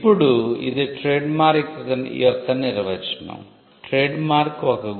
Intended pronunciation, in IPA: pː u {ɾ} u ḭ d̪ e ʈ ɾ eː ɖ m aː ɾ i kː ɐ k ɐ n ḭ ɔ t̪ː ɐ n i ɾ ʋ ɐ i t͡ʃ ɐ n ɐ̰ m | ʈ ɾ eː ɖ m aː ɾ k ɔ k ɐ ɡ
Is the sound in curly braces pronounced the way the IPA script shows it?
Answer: no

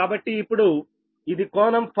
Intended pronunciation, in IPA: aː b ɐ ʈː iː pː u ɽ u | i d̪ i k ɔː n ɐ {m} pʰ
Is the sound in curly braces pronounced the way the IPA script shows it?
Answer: yes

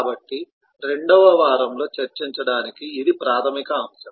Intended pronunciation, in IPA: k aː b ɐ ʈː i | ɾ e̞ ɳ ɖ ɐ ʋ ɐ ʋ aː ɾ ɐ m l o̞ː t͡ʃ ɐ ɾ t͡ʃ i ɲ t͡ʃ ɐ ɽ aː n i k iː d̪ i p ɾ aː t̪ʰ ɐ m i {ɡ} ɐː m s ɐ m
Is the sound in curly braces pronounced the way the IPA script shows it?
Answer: no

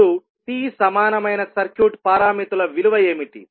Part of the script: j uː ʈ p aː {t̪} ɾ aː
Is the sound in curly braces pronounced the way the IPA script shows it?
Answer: no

